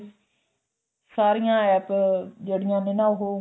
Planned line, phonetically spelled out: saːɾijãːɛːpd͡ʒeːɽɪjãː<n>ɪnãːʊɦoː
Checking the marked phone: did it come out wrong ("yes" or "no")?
no